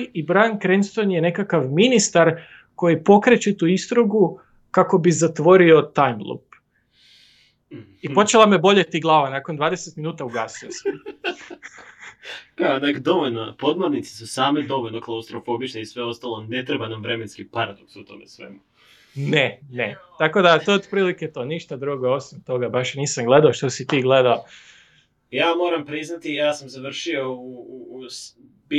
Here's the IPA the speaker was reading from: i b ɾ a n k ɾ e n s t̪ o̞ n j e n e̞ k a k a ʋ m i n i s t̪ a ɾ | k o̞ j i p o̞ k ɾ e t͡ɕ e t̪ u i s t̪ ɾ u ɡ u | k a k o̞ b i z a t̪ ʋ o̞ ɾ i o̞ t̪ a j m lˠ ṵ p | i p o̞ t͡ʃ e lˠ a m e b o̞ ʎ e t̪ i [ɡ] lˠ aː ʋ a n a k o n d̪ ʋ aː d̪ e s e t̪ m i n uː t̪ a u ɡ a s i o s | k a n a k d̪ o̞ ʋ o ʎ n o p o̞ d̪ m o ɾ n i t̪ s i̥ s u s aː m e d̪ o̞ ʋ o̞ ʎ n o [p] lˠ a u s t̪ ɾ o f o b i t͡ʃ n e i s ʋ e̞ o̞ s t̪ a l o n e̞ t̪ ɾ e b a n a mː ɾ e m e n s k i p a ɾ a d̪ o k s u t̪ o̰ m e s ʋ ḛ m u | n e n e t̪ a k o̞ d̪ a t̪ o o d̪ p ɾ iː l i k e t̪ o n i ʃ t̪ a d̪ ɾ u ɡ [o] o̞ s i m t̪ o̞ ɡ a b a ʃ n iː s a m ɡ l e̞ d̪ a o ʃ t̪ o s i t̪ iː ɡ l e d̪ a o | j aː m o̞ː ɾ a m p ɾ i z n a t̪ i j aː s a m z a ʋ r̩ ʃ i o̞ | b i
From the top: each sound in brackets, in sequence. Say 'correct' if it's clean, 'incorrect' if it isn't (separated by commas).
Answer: correct, incorrect, correct